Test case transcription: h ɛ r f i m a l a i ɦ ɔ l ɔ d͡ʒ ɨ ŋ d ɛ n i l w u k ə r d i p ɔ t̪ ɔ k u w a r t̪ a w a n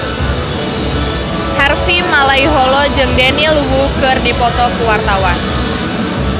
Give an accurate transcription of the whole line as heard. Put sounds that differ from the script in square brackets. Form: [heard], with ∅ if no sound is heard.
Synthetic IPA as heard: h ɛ r f i m a l a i ɦ ɔ l ɔ d͡ʒ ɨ ŋ d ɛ n i l w u k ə r d i p ɔ t̪ ɔ k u w a r t̪ a w a n